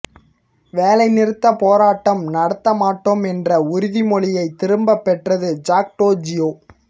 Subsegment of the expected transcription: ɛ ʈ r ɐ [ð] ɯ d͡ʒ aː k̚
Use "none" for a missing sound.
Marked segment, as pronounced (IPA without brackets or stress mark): ð